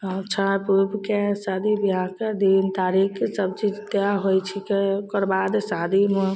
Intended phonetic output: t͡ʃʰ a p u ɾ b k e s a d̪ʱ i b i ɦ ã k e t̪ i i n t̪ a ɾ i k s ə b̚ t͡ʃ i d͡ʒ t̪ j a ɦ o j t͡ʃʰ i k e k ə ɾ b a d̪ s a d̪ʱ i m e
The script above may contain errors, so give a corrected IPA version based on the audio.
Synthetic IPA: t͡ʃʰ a p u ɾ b k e s a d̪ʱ i b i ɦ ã k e d̪ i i n t̪ a ɾ i k s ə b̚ t͡ʃ i d͡ʒ t̪ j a ɦ o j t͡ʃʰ i k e k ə ɾ b a d̪ s a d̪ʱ i m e